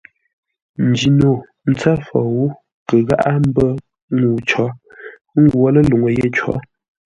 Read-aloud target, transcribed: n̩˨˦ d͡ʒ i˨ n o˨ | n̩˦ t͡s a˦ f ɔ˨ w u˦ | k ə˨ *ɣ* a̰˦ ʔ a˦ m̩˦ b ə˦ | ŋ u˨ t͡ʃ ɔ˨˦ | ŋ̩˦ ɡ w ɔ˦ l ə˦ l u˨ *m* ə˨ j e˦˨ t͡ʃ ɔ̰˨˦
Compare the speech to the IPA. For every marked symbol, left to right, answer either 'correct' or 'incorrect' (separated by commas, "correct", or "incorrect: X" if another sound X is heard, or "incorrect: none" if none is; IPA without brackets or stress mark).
correct, incorrect: ŋ